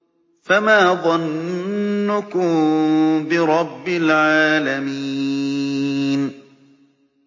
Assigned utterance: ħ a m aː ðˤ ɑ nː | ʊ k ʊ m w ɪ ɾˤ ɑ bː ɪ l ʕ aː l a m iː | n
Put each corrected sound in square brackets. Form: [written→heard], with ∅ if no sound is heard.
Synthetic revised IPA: [ħ→f] a m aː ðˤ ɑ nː | ʊ k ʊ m [w→b] ɪ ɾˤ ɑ bː ɪ l ʕ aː l a m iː | n